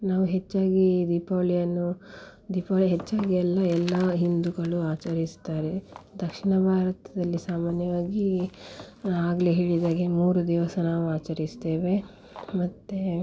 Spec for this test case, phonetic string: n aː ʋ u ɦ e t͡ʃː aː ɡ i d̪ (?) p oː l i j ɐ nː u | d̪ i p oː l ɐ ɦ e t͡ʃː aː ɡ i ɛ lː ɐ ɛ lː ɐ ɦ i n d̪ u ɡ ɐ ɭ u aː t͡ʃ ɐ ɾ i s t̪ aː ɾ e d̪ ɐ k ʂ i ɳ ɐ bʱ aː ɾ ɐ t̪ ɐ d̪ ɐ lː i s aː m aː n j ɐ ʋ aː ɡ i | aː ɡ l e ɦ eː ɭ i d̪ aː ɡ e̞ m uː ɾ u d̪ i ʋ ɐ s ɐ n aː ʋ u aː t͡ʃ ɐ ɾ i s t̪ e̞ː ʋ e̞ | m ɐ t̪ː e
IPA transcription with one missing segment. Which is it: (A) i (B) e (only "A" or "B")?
A